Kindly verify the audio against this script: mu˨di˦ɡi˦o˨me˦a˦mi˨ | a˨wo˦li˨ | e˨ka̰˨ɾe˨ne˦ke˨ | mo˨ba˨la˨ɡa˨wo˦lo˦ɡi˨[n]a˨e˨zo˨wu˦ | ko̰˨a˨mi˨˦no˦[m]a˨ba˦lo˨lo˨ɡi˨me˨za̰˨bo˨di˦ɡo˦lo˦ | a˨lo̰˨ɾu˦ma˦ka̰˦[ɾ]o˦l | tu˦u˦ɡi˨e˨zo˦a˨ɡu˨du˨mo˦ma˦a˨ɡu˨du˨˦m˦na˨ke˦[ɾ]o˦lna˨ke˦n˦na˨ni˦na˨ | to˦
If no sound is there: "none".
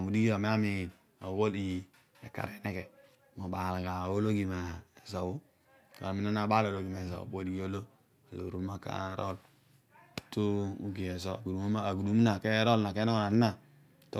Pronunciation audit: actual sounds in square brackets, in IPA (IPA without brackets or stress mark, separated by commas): m, n, ɾ, ɾ